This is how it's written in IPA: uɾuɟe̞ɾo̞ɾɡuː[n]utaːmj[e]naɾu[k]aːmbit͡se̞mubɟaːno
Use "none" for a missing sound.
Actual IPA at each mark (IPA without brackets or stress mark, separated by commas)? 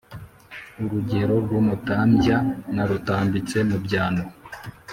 m, a, t